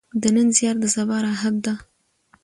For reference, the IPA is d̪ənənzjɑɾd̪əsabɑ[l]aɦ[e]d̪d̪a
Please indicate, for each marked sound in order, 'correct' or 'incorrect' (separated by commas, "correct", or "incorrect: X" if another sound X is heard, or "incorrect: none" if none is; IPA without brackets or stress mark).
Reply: incorrect: ɾ, incorrect: a